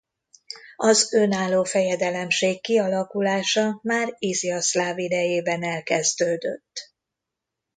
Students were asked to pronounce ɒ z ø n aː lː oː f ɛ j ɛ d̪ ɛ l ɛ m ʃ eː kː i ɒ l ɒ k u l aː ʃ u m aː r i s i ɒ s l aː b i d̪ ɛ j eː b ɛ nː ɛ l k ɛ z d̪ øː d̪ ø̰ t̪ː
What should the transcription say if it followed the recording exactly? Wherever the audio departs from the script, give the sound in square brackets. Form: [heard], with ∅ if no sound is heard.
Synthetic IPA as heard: ɒ z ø n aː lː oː f ɛ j ɛ d̪ ɛ l ɛ m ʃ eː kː i ɒ l ɒ k u l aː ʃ [ɒ] m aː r i [z] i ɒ s l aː [v] i d̪ ɛ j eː b ɛ [n] ɛ l k ɛ z d̪ øː d̪ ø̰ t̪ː